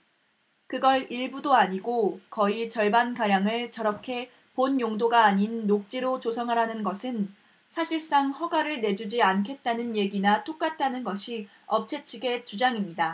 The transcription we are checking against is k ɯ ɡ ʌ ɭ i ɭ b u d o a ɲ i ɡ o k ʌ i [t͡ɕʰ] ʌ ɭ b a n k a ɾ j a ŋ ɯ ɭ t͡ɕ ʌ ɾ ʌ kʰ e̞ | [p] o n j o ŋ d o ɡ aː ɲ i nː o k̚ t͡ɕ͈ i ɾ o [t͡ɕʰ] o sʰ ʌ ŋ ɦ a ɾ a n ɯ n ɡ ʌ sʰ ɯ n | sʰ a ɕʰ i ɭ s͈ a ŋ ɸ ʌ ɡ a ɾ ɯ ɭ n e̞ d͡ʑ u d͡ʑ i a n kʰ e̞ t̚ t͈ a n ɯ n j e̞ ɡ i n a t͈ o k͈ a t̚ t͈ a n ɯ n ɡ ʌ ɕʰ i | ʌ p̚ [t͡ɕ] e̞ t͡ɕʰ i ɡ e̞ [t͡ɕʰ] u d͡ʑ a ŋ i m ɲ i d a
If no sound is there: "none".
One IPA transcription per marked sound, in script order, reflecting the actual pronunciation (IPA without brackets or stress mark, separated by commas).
t͡ɕ, p, t͡ɕ, t͡ɕʰ, t͡ɕ